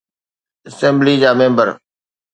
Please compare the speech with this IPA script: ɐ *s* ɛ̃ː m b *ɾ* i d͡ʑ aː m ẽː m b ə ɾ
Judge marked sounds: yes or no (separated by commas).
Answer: yes, no